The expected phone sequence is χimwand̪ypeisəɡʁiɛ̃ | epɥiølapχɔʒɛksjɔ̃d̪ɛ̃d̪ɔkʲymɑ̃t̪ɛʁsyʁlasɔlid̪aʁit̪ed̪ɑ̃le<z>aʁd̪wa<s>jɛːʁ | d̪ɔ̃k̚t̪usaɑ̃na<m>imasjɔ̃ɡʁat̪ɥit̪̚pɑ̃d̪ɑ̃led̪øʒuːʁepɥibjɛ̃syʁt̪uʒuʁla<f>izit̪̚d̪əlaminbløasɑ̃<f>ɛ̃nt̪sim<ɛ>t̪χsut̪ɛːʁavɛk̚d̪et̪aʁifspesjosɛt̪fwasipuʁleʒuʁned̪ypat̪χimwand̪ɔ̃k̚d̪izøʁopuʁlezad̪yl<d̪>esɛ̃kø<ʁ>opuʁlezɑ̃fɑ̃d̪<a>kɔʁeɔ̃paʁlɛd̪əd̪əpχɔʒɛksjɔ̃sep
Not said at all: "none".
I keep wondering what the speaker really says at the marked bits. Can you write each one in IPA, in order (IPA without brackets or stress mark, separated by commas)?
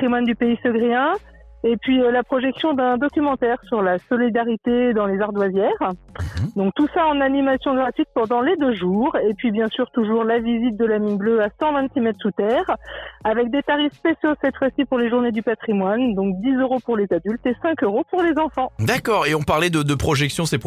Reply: z, z, n, v, v, ɛ, t̪, ʁ, a